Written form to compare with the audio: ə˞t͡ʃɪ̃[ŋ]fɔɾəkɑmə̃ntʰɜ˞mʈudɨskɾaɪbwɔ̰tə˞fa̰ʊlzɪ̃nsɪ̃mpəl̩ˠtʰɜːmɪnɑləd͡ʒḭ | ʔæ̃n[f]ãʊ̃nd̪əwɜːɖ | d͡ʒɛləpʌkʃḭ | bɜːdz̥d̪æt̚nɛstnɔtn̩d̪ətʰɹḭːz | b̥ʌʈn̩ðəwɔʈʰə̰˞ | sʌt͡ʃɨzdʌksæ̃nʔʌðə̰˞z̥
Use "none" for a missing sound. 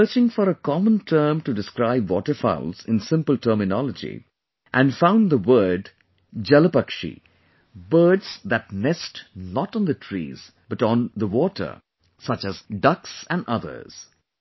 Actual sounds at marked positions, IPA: ŋ, f

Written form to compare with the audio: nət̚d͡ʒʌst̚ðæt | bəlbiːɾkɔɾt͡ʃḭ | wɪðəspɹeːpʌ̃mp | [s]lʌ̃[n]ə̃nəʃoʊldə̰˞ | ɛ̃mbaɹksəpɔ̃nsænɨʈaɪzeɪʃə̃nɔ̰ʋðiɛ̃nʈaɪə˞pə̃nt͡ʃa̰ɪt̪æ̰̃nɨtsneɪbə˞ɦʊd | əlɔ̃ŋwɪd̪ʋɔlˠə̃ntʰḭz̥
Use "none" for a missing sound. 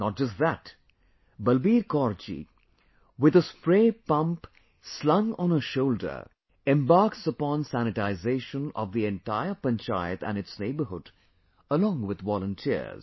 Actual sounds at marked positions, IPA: s, ŋ

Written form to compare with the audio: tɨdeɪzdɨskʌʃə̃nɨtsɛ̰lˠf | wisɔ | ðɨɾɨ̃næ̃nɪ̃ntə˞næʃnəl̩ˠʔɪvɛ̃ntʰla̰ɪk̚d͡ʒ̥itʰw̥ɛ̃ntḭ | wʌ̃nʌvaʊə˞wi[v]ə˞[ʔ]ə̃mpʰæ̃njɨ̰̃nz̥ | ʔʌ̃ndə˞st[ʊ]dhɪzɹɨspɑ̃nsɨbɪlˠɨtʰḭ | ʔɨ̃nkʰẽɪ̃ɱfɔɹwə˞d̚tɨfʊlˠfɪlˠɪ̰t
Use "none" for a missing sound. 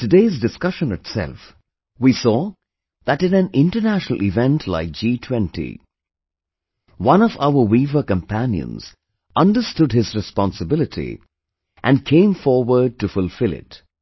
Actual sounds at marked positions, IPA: v, k, ʊ

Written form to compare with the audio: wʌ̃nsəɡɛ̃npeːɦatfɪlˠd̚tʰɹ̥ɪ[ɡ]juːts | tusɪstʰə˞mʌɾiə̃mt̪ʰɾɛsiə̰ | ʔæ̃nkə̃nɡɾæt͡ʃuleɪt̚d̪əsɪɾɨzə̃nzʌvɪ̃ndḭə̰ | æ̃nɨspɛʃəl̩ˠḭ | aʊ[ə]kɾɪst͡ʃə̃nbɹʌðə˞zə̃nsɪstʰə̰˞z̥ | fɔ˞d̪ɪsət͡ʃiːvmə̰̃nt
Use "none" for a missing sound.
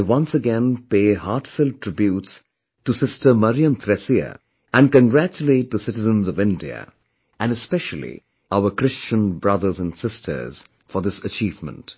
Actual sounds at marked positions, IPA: b, ə

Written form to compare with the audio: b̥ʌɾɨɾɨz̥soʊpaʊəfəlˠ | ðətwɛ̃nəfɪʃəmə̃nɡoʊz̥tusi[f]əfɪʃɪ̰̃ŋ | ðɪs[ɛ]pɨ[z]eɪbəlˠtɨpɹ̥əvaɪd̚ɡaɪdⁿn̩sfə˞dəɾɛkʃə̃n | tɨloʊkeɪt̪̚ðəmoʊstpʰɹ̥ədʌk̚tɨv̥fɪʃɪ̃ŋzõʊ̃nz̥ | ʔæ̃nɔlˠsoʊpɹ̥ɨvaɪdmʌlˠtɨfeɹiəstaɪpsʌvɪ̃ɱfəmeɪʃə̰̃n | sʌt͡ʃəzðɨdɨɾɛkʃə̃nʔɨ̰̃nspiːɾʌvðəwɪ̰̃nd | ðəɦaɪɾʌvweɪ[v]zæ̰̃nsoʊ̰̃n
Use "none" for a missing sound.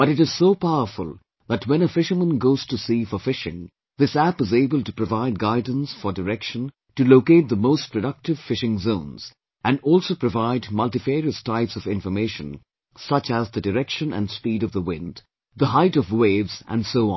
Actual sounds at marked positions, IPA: f, æ, z, v

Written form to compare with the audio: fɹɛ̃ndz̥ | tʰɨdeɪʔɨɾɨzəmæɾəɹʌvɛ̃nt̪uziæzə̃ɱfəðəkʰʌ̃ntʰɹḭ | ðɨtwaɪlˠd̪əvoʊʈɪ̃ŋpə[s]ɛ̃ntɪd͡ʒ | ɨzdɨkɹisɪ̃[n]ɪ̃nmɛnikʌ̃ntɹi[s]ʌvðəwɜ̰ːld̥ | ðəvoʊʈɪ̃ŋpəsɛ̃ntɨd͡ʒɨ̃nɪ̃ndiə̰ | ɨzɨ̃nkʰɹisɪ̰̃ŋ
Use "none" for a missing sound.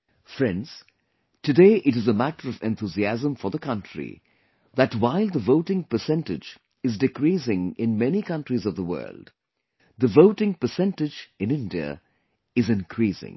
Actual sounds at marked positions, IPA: s, ŋ, z

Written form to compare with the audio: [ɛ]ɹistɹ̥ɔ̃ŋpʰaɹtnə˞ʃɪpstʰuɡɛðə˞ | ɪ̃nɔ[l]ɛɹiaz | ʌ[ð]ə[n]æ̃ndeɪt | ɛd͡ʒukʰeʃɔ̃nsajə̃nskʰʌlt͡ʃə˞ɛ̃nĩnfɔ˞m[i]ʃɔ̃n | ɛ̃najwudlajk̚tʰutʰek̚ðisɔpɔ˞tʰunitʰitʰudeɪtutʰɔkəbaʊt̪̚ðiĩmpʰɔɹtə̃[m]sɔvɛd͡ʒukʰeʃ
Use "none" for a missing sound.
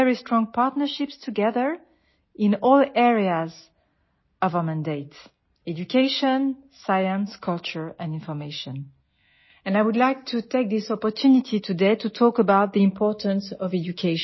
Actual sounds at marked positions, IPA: ɛ, l, v, m, e, n

